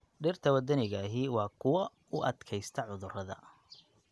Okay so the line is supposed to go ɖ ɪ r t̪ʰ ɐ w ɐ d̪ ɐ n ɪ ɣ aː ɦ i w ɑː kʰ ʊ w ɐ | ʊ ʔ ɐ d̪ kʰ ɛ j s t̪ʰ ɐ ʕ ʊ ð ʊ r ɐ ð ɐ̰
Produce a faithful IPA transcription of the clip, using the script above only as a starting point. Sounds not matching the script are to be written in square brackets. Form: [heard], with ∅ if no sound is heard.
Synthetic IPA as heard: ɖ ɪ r t̪ʰ ɐ w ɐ d̪ ɐ n ɪ ɣ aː ɦ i w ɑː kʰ ʊ w ɐ | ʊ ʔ ɐ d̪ kʰ ɛ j s t̪ʰ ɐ ʕ ʊ ð ʊ r ɐ ð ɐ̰

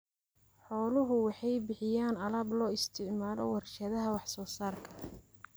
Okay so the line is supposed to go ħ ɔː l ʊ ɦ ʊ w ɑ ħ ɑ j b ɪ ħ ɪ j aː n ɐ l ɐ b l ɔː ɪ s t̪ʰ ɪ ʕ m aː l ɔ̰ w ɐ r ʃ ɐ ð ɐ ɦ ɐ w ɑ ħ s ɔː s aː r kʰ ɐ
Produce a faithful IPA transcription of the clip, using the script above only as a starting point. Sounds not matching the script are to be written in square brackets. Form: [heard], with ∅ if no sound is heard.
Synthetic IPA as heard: ħ ɔː l ʊ ɦ ʊ w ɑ ħ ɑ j b ɪ ħ ɪ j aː n ɐ l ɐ b l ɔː ɪ s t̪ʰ ɪ ʕ m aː l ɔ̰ w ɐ r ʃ ɐ ð ɐ ɦ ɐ w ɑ ħ s ɔː s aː r kʰ ɐ

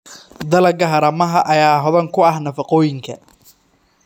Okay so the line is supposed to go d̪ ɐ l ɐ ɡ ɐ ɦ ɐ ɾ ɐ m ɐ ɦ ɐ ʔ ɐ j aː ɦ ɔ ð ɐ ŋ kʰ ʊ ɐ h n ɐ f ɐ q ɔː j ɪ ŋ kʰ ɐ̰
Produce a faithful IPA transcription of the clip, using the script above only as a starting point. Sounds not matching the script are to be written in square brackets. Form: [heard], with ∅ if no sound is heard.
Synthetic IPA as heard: d̪ ɐ l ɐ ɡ ɐ ɦ ɐ ɾ ɐ m ɐ ɦ ɐ ʔ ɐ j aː ɦ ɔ ð ɐ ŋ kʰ ʊ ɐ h n ɐ f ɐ q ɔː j ɪ ŋ kʰ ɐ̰

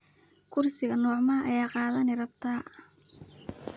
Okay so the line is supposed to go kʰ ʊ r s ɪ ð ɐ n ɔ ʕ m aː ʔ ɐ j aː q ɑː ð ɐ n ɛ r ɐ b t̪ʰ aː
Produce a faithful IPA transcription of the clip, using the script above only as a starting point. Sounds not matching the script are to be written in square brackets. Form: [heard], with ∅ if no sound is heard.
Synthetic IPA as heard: kʰ ʊ r s ɪ [ɣ] ɐ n [ɔː] ʕ m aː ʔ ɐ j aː q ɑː ð ɐ n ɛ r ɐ b t̪ʰ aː

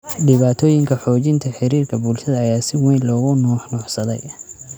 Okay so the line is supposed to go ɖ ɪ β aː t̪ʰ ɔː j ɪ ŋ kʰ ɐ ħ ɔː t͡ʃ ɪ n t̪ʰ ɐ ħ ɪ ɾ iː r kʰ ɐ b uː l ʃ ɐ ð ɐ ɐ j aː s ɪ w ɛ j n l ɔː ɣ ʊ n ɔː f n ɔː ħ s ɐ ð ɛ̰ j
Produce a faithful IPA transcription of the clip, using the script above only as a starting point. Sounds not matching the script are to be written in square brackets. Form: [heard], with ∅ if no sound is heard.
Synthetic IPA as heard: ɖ ɪ β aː t̪ʰ ɔː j ɪ ŋ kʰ ɐ ħ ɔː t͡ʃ ɪ n t̪ʰ ɐ ħ ɪ ɾ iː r kʰ ɐ b uː l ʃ ɐ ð ɐ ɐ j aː s ɪ w ɛ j n l ɔː ɣ ʊ n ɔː [ħ] n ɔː ħ s ɐ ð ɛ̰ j

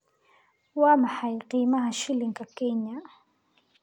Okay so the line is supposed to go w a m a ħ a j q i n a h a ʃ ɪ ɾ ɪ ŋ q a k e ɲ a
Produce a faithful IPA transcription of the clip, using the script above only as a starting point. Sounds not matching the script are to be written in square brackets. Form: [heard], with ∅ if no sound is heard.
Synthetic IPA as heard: w a m a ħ a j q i [m] a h a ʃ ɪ [l] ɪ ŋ [k] a k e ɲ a

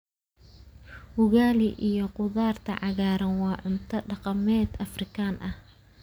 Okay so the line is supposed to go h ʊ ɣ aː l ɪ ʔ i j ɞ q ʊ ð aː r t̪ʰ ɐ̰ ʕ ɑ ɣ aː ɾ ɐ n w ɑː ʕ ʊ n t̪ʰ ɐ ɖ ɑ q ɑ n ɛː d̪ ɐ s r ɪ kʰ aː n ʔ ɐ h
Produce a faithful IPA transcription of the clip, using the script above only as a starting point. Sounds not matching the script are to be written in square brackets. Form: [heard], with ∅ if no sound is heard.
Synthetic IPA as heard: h ʊ ɣ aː l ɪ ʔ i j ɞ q ʊ ð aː r t̪ʰ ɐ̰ ʕ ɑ ɣ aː ɾ ɐ n w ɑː ʕ ʊ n t̪ʰ ɐ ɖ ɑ q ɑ [m] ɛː d̪ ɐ [f] r ɪ kʰ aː n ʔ ɐ h

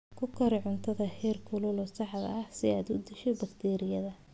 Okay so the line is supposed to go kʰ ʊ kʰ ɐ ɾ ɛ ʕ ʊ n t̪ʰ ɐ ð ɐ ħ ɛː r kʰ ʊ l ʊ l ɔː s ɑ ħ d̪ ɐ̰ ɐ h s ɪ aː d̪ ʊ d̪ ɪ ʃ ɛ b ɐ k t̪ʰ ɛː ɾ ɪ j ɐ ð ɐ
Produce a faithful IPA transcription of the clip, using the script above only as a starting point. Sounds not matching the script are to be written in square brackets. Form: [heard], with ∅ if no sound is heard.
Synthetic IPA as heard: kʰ ʊ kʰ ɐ ɾ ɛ ʕ ʊ n t̪ʰ ɐ ð ɐ [h] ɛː r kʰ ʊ l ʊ l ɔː s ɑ ħ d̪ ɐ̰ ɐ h s ɪ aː d̪ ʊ d̪ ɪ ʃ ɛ b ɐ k t̪ʰ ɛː ɾ ɪ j ɐ ð ɐ

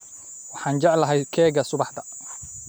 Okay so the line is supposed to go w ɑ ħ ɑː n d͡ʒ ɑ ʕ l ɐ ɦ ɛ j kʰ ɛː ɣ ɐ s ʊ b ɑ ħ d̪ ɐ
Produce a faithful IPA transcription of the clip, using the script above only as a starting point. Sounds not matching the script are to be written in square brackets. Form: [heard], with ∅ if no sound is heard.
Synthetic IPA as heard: w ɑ ħ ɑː n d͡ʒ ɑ ʕ l ɐ ɦ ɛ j kʰ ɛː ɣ ɐ s ʊ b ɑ ħ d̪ ɐ

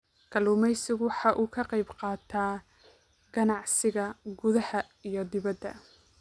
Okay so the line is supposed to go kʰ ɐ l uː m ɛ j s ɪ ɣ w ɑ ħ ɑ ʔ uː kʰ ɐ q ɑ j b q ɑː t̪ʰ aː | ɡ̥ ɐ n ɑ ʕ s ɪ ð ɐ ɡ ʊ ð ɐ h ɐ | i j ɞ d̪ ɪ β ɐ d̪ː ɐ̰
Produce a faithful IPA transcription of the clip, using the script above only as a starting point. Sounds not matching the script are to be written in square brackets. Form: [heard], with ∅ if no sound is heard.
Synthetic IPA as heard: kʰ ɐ l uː m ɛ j s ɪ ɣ w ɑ ħ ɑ ʔ uː kʰ ɐ q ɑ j b q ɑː t̪ʰ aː | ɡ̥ ɐ n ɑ ʕ s ɪ [ɣ] ɐ ɡ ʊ ð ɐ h ɐ | i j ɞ d̪ ɪ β ɐ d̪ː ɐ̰

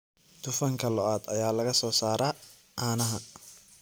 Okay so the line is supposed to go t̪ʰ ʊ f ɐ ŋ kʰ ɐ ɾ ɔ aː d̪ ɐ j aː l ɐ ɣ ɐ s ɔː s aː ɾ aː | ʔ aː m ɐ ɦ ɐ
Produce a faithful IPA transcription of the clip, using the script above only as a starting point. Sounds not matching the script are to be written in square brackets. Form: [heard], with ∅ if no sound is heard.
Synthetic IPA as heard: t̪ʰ ʊ f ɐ ŋ kʰ ɐ [l] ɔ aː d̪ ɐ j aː l ɐ ɣ ɐ s ɔː s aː ɾ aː | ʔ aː [n] ɐ ɦ ɐ

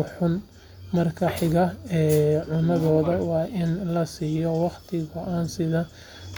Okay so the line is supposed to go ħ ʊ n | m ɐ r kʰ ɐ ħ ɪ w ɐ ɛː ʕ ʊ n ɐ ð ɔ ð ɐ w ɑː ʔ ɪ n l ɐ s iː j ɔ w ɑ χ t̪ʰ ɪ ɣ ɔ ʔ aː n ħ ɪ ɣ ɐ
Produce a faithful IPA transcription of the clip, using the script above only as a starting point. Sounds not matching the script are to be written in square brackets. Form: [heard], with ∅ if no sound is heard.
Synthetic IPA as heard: ħ ʊ n | m ɐ r kʰ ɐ ħ ɪ [ɣ] ɐ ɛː ʕ ʊ n ɐ ð [ɔː] ð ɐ w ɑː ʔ ɪ n l ɐ s iː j ɔ w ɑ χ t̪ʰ ɪ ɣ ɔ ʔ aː n [s] ɪ [ð] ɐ

